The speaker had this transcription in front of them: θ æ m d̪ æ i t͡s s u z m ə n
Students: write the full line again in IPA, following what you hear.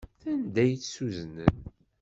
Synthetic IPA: θ æ n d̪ æ j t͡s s u z n ə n